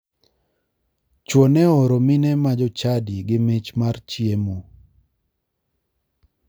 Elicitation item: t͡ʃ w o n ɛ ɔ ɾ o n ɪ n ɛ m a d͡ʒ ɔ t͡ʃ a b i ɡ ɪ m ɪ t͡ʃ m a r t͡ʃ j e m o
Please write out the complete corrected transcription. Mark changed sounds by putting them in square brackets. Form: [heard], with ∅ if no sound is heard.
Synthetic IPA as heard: t͡ʃ w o n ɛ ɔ ɾ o [m] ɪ n ɛ m a d͡ʒ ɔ t͡ʃ a [d] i ɡ ɪ m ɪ t͡ʃ m a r t͡ʃ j e m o